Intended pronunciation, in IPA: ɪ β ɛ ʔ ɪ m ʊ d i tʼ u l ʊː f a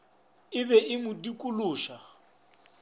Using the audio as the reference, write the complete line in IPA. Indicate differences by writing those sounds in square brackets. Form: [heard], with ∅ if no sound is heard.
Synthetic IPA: ɪ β ɛ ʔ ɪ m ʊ d i [kʼ] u l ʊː [ʃ] a